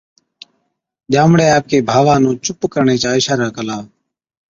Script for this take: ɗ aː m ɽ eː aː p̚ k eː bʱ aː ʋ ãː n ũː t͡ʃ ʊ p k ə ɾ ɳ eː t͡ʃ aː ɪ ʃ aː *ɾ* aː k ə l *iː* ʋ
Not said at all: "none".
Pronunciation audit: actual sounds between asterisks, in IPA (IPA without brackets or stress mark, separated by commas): ɾ, aː